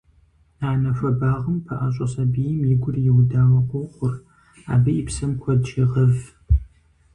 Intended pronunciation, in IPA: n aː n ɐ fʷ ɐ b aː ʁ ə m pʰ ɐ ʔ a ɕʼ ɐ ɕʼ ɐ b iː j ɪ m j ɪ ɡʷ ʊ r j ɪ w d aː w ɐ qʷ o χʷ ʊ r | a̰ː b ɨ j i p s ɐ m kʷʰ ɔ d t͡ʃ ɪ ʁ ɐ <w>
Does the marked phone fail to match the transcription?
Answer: yes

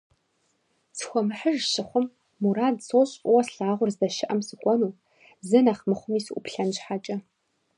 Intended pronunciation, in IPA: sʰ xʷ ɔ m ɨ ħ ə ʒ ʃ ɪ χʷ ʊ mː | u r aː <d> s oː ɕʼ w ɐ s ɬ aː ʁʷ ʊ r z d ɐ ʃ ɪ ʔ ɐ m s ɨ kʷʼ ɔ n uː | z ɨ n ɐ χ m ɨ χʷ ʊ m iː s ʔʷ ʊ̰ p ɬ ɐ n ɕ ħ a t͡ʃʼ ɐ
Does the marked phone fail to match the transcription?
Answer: no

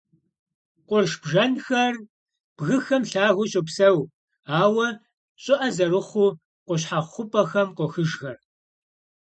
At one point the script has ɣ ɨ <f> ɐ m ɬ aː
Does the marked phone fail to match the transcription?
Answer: yes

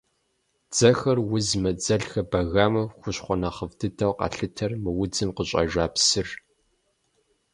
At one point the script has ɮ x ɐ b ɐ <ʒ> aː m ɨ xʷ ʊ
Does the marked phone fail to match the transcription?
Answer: yes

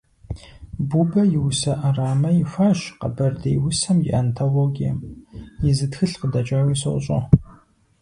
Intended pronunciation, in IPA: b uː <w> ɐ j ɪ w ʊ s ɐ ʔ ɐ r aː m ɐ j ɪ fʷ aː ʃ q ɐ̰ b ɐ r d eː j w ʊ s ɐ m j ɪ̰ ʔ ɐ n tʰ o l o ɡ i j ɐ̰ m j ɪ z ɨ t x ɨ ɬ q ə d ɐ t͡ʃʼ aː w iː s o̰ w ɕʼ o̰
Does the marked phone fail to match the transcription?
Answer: yes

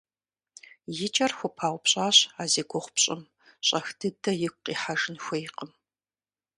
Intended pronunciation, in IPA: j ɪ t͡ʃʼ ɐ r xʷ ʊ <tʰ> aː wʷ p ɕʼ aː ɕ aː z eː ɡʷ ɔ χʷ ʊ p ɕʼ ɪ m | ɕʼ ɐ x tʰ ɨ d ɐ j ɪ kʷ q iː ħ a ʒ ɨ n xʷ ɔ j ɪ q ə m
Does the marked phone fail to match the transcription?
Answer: yes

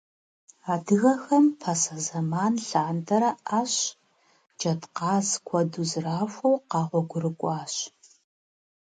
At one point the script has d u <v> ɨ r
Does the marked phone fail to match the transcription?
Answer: yes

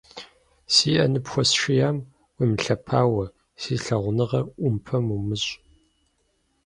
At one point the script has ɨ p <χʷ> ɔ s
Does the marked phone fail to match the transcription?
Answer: yes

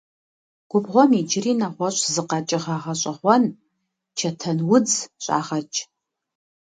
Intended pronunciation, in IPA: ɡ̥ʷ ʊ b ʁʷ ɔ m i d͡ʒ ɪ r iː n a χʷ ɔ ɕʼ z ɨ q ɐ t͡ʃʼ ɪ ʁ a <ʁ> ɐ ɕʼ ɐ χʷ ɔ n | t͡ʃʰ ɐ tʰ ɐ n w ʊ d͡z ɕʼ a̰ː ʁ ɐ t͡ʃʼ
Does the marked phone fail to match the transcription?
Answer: no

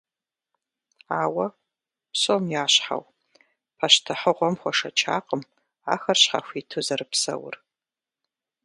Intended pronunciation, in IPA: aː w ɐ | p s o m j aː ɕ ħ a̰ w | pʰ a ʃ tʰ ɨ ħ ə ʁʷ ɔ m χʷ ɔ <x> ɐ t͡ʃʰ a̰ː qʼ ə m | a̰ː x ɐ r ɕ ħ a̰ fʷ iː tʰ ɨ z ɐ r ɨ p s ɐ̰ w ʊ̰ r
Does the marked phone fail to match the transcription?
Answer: yes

